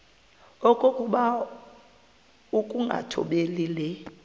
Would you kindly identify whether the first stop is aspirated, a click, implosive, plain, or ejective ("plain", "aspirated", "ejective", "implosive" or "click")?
ejective